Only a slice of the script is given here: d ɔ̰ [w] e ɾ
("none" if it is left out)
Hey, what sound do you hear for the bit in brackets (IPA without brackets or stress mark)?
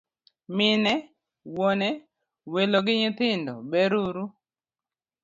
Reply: b